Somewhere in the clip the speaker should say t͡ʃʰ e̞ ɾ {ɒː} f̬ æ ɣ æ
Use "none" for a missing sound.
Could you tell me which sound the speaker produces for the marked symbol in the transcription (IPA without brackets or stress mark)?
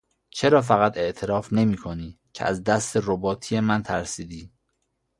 ɒː